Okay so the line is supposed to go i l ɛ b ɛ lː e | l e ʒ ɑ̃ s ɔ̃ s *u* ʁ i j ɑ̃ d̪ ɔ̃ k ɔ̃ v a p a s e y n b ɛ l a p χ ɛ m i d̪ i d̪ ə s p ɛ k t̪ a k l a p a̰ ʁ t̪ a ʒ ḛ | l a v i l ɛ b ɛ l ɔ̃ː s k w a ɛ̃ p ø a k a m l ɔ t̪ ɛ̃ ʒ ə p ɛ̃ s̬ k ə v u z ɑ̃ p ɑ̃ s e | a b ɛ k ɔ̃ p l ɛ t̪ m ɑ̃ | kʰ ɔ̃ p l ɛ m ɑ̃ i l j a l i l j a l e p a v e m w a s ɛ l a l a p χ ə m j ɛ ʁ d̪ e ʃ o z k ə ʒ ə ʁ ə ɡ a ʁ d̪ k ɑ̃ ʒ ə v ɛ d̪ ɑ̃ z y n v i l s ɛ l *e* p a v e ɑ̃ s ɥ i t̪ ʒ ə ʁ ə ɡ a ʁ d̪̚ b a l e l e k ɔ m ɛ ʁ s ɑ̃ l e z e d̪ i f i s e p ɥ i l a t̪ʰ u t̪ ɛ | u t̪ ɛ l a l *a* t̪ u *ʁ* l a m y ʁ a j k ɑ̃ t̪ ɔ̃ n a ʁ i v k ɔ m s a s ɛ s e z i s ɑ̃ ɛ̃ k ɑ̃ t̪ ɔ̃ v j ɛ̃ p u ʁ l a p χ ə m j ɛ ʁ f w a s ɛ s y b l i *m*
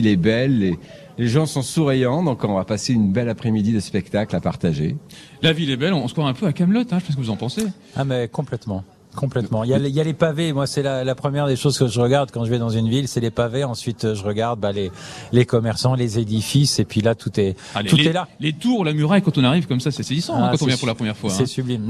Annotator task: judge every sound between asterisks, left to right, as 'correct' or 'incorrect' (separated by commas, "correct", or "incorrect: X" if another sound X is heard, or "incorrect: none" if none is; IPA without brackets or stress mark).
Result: correct, correct, incorrect: e, correct, correct